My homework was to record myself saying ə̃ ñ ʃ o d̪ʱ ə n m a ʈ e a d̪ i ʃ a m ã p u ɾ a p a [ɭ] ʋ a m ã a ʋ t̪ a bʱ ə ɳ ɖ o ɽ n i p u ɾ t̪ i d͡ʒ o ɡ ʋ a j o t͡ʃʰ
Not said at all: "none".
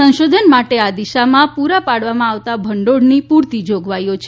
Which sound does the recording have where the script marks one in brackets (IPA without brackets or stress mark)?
ɽ